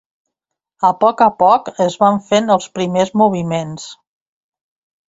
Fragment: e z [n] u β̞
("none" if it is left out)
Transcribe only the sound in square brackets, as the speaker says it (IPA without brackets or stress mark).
m